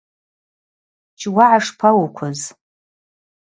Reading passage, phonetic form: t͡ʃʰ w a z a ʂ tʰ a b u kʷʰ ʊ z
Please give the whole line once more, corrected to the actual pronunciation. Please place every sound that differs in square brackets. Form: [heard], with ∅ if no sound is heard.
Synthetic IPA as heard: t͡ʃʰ w a [ʕ] a ʂ [pʰ] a [w] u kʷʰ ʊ z